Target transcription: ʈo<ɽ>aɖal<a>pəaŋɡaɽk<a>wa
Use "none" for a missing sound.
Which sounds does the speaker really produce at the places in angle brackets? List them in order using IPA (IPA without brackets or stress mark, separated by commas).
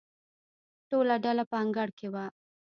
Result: l, a, e